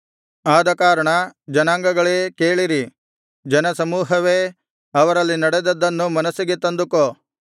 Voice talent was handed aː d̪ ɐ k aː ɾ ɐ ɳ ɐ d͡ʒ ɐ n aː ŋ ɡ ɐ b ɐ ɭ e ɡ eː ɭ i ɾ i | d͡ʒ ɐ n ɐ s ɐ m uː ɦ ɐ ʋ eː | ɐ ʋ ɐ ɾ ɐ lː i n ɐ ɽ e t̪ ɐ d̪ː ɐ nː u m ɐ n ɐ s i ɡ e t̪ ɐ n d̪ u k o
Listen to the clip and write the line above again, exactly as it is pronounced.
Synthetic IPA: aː d̪ ɐ k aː ɾ ɐ ɳ ɐ d͡ʒ ɐ n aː ŋ ɡ ɐ ɡ ɐ ɭ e k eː ɭ i ɾ i | d͡ʒ ɐ n ɐ s ɐ m uː ɦ ɐ ʋ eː | ɐ ʋ ɐ ɾ ɐ lː i n ɐ ɽ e d̪ ɐ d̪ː ɐ nː u m ɐ n ɐ s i ɡ e t̪ ɐ n d̪ u k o